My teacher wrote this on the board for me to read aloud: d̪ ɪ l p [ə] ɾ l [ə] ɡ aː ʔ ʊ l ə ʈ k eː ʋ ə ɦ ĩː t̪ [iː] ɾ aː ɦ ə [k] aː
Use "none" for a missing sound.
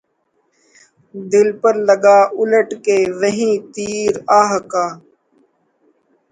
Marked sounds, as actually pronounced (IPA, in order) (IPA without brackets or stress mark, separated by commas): ə, ə, iː, k